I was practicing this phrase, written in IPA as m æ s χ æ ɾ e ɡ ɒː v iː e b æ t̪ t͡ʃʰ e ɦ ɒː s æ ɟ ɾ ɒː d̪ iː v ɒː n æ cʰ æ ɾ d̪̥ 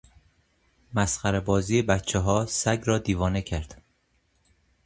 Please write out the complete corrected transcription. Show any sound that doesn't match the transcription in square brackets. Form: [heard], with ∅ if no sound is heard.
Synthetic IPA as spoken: m æ s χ æ ɾ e [b] ɒː [z] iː e b æ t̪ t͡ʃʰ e ɦ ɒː s æ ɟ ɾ ɒː d̪ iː v ɒː n [e] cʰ æ ɾ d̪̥